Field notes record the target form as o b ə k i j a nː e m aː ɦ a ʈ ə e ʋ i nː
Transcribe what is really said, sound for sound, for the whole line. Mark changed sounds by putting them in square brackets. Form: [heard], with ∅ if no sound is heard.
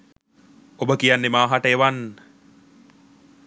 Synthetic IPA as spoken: o b ə k i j a nː e m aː ɦ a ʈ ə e ʋ [a] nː